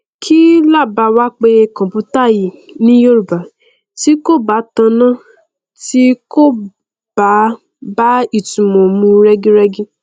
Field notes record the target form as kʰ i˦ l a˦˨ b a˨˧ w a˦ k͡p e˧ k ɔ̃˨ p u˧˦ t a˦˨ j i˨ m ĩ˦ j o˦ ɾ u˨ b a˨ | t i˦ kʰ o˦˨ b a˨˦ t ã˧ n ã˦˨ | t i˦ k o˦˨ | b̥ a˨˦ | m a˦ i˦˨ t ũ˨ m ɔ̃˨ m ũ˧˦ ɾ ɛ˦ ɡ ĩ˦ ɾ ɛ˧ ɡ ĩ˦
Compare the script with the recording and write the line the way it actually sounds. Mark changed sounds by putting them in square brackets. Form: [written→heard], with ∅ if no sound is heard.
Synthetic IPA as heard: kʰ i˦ l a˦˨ b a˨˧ w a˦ k͡p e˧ k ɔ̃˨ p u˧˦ t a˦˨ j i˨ [m→n] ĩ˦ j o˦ ɾ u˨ b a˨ | t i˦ [kʰ→k] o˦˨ b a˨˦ t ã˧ n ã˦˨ | t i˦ k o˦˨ | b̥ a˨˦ | [m→b] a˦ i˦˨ t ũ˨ m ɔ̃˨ m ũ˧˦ ɾ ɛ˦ ɡ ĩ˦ ɾ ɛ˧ ɡ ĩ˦